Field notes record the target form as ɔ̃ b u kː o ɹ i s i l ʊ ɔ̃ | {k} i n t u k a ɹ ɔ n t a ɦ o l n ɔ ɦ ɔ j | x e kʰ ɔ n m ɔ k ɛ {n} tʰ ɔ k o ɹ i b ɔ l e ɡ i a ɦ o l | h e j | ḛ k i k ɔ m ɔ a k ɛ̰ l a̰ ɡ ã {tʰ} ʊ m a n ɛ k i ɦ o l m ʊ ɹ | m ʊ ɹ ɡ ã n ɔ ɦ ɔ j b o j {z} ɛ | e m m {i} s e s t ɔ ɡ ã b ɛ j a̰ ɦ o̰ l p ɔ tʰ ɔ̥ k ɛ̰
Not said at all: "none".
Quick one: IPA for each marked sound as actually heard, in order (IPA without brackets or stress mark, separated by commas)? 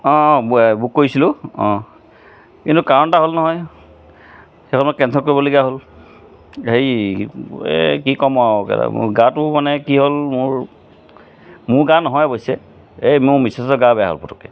k, n, t, s, i